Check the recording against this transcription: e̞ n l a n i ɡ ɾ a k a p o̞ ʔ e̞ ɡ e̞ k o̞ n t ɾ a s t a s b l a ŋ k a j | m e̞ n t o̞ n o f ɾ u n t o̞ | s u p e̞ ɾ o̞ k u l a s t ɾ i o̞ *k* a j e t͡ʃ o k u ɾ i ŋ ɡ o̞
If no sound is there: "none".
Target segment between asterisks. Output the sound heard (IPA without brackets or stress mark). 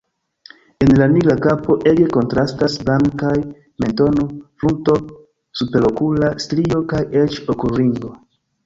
k